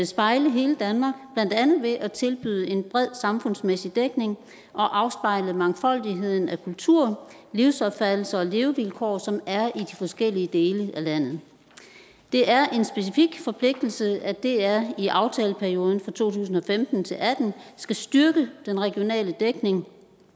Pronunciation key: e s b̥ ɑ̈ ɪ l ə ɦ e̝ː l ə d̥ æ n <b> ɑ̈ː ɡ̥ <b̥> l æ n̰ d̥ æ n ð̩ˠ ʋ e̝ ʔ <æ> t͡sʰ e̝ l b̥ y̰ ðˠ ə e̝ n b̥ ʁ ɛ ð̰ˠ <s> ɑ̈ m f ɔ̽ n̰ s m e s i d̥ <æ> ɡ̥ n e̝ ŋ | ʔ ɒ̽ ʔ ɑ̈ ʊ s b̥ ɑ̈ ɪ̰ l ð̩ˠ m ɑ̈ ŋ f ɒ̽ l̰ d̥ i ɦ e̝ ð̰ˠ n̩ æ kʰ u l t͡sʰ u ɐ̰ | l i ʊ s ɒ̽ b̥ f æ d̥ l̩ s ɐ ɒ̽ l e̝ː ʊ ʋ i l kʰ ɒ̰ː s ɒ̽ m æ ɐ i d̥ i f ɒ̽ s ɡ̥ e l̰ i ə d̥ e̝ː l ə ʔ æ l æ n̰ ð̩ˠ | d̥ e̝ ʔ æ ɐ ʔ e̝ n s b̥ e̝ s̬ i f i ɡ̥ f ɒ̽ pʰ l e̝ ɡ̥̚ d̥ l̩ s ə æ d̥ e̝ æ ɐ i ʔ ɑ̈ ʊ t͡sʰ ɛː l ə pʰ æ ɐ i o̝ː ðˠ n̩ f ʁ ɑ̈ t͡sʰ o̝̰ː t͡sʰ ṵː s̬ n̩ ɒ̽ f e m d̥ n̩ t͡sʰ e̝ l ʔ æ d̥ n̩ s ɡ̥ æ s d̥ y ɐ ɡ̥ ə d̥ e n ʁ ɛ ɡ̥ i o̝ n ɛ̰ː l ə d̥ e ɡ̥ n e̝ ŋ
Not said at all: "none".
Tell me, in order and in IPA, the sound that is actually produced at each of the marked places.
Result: m, b̥, æ, s, e

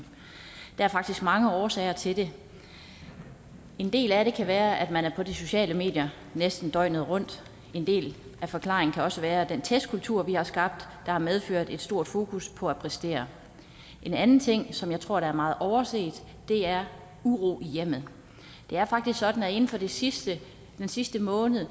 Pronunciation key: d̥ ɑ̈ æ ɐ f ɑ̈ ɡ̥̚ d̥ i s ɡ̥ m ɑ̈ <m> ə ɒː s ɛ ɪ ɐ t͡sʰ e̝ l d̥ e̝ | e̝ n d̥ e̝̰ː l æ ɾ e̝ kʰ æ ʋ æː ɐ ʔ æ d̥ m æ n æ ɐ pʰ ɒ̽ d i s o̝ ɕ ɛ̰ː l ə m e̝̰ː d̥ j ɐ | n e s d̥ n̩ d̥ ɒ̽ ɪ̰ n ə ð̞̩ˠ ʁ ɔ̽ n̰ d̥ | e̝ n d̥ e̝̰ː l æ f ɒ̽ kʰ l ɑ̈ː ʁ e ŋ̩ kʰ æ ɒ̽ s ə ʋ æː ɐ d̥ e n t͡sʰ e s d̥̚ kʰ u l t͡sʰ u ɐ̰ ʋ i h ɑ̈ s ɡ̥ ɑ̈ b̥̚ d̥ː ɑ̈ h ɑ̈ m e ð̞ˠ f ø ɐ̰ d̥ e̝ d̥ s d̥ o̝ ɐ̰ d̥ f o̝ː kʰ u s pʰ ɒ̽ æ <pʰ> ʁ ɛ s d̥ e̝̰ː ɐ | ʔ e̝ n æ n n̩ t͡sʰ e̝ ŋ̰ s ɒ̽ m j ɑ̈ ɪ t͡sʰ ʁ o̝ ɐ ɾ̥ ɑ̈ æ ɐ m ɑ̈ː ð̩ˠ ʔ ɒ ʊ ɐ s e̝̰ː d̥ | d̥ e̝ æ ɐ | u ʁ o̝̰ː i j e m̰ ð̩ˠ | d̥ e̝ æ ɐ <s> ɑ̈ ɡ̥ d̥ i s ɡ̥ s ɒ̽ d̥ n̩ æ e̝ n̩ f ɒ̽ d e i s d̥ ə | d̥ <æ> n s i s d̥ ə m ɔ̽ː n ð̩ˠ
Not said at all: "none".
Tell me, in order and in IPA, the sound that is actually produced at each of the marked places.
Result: ŋ, pʰ, f, e

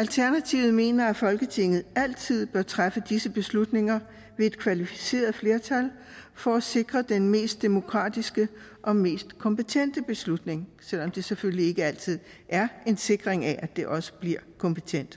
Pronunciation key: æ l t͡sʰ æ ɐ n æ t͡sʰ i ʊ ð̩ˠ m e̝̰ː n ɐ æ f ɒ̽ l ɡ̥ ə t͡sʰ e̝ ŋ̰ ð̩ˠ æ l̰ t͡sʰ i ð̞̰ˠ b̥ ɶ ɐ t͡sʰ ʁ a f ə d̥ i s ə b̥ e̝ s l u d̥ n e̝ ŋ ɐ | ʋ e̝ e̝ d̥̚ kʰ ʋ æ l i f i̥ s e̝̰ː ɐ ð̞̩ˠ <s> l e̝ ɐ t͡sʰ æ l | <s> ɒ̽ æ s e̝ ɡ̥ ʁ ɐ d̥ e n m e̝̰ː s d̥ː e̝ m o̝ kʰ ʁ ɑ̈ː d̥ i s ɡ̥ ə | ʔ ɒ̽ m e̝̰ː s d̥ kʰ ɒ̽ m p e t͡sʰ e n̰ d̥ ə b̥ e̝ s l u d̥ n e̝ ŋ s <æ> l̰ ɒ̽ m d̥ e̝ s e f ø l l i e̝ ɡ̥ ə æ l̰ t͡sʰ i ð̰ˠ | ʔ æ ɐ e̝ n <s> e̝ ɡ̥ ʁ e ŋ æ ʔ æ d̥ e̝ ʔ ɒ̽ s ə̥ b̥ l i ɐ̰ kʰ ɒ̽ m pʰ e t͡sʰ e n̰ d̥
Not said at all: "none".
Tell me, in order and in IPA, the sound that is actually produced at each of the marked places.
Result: f, f, e, s

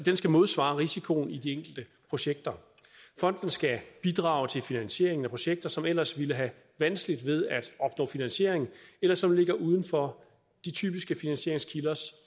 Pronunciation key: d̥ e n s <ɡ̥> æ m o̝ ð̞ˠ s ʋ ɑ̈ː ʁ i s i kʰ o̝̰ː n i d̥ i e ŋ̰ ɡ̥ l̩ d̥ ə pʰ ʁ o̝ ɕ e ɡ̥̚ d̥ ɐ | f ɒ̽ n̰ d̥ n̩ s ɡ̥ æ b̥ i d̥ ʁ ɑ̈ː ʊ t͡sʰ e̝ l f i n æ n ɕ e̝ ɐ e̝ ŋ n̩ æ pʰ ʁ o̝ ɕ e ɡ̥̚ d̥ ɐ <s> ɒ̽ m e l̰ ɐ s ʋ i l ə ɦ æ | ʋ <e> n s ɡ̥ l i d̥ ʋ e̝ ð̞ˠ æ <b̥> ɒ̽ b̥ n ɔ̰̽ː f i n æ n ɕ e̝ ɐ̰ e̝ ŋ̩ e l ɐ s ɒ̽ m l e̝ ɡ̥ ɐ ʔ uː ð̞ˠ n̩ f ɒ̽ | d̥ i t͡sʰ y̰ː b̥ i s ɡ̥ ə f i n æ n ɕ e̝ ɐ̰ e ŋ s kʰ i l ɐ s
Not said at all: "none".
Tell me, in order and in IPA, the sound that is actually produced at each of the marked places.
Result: ɡ̥, s, æ, d̥

